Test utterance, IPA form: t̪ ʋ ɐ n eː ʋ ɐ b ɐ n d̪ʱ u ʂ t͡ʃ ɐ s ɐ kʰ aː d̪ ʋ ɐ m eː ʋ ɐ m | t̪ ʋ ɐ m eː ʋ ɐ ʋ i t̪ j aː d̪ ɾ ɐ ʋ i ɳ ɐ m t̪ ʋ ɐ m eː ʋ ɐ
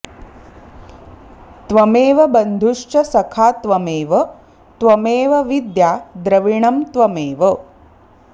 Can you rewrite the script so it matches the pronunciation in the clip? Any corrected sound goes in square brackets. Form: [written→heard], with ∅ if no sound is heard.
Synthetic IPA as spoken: t̪ ʋ ɐ [n→m] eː ʋ ɐ b ɐ n d̪ʱ u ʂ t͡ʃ ɐ s ɐ kʰ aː [d̪→t̪] ʋ ɐ m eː ʋ ɐ [m→∅] | t̪ ʋ ɐ m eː ʋ ɐ ʋ i [t̪→d̪] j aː d̪ ɾ ɐ ʋ i ɳ ɐ m t̪ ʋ ɐ m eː ʋ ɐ